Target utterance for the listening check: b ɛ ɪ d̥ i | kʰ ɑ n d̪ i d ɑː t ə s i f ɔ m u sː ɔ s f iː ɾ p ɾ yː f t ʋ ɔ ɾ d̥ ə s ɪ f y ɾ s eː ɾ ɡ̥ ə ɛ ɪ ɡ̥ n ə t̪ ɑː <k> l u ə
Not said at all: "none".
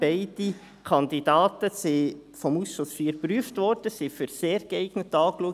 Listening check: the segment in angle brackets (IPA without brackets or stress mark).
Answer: k